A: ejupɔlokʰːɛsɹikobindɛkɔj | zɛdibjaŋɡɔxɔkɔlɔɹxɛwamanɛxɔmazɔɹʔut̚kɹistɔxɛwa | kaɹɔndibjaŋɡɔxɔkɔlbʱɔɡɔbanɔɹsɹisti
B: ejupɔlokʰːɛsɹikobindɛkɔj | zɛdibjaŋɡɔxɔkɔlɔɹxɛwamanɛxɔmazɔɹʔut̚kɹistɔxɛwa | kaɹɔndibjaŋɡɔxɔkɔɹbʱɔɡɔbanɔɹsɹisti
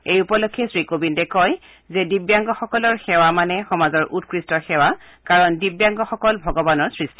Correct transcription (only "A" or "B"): A